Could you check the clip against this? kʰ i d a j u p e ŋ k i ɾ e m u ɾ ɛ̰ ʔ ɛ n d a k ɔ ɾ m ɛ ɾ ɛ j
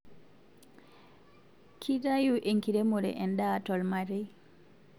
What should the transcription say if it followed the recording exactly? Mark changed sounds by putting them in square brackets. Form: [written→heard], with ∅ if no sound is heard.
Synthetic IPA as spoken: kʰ i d a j u [p→ʔ] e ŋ k i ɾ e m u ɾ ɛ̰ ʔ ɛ n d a [k→t] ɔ [ɾ→l] m [ɛ→a] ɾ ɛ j

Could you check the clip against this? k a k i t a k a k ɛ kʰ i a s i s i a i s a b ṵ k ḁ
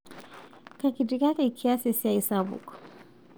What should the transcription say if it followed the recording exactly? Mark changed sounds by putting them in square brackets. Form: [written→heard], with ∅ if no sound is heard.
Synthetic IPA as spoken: k a k i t [a→i] k a k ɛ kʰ i a s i s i a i s a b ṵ k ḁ

